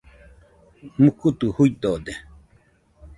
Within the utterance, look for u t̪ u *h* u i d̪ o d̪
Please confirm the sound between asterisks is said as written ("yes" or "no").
yes